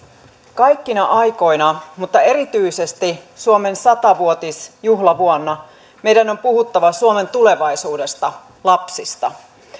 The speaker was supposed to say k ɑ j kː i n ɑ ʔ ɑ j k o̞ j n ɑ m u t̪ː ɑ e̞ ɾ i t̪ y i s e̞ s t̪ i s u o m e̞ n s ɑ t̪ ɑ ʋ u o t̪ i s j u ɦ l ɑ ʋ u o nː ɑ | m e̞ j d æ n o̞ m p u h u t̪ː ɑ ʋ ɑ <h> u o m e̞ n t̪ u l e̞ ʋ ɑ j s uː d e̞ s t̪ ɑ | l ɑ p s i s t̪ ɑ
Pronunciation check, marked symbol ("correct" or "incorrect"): incorrect